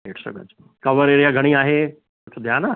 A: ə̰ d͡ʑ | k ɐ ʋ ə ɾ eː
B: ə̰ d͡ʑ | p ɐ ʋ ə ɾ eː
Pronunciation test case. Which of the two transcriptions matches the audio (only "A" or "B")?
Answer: A